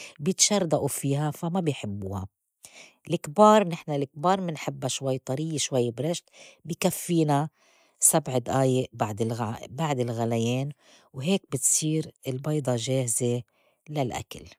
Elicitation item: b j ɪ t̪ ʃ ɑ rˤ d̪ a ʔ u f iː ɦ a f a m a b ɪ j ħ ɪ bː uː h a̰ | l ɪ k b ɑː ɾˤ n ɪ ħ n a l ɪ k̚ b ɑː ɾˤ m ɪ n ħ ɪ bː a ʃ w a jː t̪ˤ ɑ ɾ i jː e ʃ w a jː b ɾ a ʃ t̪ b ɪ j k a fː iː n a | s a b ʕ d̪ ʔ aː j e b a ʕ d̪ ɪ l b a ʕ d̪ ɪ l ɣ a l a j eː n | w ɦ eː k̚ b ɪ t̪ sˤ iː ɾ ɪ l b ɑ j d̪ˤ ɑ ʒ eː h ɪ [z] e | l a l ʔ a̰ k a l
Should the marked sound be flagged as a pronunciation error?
no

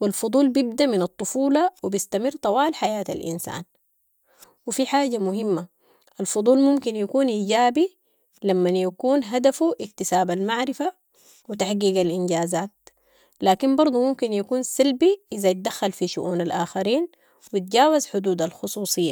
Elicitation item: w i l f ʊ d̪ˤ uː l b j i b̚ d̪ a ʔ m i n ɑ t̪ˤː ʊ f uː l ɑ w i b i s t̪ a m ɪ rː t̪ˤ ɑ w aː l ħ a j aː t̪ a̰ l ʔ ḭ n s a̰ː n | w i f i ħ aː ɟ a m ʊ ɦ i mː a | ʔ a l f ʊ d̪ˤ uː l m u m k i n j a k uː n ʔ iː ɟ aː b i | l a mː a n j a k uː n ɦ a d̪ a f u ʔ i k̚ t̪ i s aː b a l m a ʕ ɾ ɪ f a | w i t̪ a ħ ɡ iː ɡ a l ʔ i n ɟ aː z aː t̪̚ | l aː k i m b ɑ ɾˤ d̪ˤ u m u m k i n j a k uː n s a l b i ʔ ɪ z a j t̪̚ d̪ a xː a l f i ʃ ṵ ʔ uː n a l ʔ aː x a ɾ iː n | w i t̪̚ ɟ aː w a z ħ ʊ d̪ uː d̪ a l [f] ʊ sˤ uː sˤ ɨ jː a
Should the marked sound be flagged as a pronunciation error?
yes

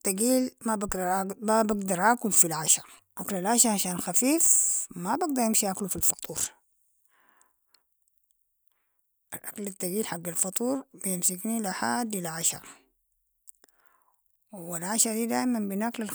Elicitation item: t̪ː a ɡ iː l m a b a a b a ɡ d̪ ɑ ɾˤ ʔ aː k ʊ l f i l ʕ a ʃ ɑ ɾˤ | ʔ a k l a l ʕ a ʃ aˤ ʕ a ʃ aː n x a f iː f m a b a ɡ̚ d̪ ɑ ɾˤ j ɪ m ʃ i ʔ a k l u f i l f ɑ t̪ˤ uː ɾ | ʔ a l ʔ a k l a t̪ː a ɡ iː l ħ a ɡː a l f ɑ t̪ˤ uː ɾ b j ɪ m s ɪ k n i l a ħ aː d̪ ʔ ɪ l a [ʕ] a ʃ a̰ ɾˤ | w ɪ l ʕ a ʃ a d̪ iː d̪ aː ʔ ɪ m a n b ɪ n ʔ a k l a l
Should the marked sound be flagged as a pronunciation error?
no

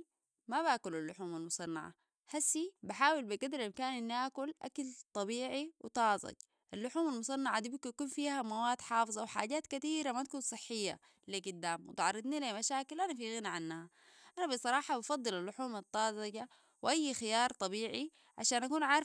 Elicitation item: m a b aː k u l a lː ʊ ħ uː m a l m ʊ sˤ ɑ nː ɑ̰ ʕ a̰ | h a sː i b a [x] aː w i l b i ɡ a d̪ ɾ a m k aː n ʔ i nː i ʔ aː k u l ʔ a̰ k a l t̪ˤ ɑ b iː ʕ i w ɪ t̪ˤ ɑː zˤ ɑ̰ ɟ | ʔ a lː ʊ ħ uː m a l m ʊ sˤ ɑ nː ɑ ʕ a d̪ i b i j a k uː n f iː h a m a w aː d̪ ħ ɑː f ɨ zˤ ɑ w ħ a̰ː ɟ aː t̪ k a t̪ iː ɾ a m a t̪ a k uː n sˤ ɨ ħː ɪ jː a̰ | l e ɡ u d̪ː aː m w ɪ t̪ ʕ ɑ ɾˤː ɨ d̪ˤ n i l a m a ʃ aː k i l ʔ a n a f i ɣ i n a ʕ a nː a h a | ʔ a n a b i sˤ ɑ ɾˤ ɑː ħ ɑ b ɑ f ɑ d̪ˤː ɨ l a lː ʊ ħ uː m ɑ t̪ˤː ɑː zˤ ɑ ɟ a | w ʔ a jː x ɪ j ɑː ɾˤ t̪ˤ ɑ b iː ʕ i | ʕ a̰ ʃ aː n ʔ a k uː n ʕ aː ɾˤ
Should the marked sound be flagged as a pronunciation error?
yes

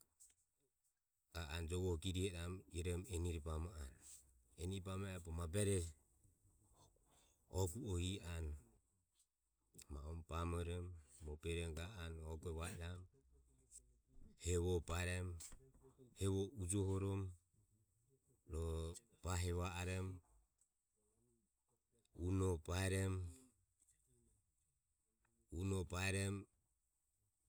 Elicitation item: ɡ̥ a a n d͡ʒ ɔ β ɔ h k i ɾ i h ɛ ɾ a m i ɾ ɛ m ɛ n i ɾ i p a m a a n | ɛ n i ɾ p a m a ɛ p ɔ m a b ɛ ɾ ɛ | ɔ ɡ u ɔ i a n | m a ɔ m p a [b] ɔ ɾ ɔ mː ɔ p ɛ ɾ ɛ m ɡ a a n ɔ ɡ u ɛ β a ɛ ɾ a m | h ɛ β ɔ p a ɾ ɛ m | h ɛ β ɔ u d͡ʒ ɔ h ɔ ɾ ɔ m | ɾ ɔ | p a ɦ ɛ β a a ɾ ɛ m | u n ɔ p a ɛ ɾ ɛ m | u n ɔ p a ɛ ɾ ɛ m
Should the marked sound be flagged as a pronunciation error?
yes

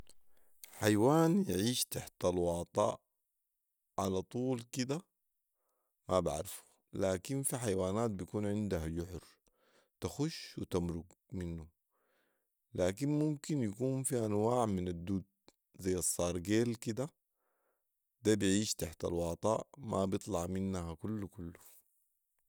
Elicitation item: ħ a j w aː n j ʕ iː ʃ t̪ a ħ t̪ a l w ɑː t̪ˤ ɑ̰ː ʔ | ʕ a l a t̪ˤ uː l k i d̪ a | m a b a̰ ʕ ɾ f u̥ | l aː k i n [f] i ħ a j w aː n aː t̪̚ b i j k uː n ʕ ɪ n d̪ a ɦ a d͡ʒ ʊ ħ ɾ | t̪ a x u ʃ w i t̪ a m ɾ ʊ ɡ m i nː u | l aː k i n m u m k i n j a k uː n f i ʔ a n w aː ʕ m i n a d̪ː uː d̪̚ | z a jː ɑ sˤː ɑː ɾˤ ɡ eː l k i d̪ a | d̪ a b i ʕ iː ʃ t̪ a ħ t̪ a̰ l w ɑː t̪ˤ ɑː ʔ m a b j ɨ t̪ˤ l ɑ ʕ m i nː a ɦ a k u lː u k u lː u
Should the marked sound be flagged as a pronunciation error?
no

